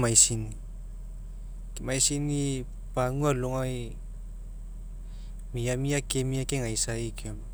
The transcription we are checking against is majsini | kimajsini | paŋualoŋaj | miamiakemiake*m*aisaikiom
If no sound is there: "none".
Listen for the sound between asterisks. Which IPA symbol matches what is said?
ŋ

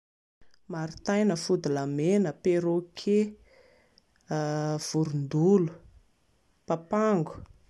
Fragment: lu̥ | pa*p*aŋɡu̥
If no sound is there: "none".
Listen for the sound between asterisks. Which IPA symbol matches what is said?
p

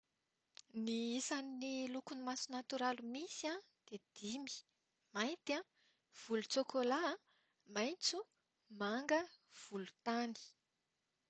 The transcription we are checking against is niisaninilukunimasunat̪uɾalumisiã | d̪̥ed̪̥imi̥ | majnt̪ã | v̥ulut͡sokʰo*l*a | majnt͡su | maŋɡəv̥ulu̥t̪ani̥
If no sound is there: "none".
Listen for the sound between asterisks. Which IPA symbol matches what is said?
l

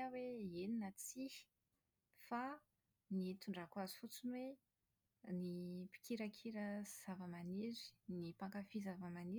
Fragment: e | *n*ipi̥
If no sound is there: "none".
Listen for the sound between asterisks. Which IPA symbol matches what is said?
n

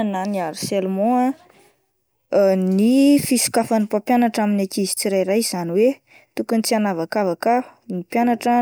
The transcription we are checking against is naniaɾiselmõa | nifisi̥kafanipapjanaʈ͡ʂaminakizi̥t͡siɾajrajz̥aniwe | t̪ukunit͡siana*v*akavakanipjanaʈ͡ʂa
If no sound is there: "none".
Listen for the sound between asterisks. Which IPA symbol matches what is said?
v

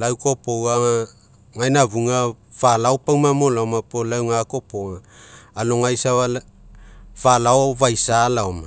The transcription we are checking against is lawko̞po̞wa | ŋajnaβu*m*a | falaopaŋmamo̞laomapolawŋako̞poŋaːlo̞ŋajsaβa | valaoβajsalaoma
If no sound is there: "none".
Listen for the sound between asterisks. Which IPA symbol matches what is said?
ŋ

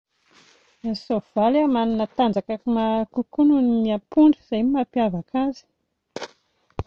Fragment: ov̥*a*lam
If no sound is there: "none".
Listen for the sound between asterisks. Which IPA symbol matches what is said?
a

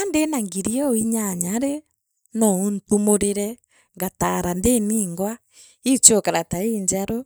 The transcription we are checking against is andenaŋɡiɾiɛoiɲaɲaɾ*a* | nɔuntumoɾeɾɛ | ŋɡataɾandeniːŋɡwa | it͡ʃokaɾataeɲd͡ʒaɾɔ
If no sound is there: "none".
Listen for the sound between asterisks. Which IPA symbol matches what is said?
e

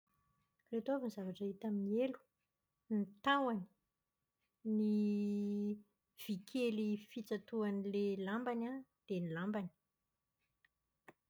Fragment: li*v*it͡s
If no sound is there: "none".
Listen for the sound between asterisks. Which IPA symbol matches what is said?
f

